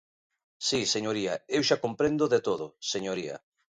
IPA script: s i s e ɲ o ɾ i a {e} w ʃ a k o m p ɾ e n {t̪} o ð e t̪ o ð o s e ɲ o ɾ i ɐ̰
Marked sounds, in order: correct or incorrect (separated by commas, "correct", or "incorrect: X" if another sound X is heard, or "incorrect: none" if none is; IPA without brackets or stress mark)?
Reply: correct, incorrect: d̪